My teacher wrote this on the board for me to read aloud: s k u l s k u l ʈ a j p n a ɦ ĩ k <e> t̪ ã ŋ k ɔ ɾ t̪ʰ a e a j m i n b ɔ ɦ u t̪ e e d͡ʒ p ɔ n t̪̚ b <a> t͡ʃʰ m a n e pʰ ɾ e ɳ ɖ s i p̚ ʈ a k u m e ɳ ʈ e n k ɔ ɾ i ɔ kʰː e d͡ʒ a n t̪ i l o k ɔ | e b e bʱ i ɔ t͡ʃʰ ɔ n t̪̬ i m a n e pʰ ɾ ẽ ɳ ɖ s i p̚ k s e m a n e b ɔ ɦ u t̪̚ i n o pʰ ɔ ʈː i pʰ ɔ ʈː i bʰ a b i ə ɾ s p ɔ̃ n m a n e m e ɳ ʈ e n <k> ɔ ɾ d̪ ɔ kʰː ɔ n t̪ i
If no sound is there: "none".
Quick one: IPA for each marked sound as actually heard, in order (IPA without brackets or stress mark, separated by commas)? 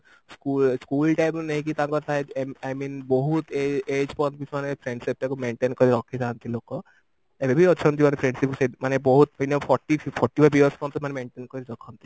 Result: i, i, k